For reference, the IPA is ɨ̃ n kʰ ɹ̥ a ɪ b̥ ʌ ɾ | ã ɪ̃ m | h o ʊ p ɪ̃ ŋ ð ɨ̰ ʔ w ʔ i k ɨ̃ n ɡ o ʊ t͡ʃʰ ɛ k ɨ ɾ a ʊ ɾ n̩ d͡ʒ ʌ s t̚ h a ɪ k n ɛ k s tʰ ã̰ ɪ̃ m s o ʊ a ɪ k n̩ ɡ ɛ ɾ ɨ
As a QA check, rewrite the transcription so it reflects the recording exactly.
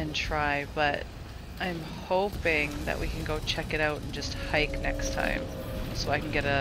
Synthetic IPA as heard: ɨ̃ n tʰ ɹ̥ a ɪ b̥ ʌ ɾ | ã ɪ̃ m | h o ʊ p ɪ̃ ŋ ð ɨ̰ ʔ w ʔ i k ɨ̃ n ɡ o ʊ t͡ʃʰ ɛ k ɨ ɾ a ʊ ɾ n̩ d͡ʒ ʌ s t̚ h a ɪ k n ɛ k s tʰ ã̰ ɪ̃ m s o ʊ a ɪ k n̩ ɡ ɛ ɾ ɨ